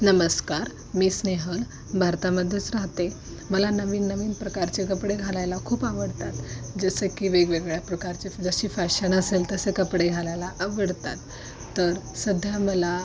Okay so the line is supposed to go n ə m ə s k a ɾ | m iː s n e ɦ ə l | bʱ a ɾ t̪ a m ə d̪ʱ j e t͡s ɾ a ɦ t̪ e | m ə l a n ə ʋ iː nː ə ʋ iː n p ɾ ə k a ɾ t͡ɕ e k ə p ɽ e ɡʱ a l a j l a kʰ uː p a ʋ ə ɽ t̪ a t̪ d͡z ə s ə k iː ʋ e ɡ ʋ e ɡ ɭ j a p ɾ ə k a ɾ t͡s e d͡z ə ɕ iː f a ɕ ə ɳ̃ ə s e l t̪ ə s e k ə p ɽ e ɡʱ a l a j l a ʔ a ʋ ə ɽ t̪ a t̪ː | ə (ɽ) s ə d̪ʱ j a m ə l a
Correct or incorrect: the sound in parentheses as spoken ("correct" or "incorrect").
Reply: incorrect